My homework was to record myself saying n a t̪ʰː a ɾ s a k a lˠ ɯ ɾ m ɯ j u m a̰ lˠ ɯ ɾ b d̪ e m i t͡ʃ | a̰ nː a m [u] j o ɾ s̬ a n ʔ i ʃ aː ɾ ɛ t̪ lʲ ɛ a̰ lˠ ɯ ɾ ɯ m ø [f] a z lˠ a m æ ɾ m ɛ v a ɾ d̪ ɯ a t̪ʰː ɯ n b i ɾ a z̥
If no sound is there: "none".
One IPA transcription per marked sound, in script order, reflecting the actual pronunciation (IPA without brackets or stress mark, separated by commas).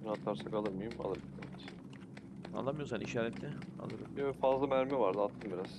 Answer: ɯ, f